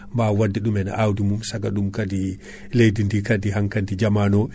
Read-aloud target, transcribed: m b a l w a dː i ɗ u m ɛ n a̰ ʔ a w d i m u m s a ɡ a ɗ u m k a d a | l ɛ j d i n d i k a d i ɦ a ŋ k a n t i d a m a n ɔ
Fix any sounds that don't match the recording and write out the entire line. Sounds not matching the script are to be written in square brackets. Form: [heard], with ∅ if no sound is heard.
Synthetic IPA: m b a [∅] w a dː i ɗ u m ɛ n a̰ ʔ a w d i m u m s a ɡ a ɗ u m k a d [i] | l [e] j d i n d i k a d i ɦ a ŋ k a n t i [d͡ʒ] a m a n ɔ